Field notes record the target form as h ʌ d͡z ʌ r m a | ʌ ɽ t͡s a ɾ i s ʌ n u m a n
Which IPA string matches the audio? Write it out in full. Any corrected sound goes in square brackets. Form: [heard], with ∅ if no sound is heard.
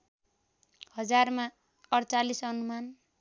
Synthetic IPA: h ʌ d͡z [a] r m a | ʌ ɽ t͡s a [l] i s ʌ n u m a n